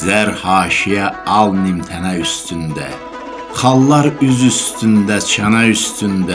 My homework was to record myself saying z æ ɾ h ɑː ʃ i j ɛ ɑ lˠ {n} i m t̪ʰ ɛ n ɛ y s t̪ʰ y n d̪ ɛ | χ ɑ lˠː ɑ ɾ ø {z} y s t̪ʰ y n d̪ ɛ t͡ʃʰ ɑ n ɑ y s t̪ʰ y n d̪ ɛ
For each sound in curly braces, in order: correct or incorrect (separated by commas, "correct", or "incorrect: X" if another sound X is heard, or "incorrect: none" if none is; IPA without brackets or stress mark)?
correct, correct